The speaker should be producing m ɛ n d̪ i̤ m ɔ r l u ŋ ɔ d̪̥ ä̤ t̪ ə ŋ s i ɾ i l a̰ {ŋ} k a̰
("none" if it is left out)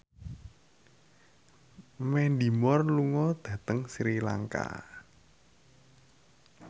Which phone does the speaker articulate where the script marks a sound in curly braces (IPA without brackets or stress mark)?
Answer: ŋ